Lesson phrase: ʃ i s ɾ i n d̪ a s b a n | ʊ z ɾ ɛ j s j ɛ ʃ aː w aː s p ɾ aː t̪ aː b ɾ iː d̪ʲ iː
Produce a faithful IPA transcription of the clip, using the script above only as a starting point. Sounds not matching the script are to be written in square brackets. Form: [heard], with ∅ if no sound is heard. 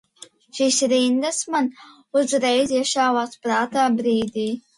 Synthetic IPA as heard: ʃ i s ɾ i n d̪ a s [m] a n | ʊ z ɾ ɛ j [z] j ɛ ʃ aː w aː s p ɾ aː t̪ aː b ɾ iː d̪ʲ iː